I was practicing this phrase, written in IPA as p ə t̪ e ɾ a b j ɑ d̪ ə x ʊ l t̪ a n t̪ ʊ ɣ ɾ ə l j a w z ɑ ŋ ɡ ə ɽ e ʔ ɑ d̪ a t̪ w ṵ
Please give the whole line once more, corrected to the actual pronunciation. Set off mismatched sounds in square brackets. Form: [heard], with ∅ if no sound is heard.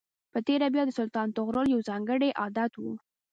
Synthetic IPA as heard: p ə t̪ e ɾ a b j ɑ d̪ ə [s] ʊ l t̪ [ɑ] n t̪ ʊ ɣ ɾ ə l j a w z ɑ ŋ ɡ ə ɽ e ʔ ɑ d̪ a t̪ w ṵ